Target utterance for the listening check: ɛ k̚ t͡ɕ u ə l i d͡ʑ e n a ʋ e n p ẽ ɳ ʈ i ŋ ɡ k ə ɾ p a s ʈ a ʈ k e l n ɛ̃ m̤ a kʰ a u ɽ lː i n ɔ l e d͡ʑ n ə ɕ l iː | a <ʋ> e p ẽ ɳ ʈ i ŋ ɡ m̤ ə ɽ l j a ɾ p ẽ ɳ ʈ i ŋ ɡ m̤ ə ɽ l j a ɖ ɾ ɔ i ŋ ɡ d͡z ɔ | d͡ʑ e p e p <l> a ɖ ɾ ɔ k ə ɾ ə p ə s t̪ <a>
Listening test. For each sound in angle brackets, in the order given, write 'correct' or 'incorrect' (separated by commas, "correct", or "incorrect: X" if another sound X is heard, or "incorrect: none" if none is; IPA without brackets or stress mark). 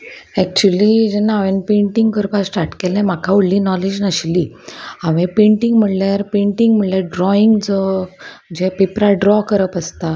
correct, incorrect: ɾ, correct